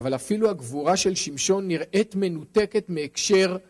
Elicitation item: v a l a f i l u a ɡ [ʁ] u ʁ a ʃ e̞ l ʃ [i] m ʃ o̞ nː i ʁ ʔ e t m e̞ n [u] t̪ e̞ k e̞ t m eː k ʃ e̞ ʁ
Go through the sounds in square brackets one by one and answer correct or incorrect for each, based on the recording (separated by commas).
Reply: incorrect, correct, correct